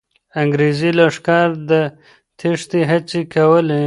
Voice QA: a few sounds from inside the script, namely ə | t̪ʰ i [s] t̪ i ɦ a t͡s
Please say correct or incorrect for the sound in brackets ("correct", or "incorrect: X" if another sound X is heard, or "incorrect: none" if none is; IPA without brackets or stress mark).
incorrect: ʂ